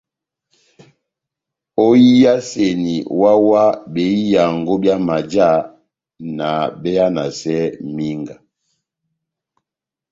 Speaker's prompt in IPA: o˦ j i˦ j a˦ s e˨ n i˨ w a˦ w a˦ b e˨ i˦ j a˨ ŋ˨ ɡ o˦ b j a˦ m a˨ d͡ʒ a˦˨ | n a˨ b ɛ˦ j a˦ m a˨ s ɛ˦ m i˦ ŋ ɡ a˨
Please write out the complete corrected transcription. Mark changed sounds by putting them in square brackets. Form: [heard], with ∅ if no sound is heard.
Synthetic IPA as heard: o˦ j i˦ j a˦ s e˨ n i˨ w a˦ w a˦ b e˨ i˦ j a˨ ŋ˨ ɡ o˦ b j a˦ m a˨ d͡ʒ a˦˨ | n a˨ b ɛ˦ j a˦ [n] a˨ s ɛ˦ m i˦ ŋ ɡ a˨